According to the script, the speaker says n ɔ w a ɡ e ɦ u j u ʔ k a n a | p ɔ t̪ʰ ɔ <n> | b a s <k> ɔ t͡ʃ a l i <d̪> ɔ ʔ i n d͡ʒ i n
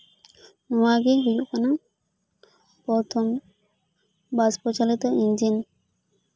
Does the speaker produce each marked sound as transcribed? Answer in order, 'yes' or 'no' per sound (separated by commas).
no, no, no